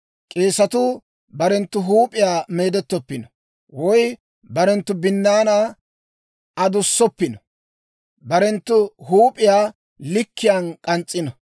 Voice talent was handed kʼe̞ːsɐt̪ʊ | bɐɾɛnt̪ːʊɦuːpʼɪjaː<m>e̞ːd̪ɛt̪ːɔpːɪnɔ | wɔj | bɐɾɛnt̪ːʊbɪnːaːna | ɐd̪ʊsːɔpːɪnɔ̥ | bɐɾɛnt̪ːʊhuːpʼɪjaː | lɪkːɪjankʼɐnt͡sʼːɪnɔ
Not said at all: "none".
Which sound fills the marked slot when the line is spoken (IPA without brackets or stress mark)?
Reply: m